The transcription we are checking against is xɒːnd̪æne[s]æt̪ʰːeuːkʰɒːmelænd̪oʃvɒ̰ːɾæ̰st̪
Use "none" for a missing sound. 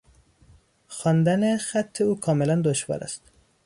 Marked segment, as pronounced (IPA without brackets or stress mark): x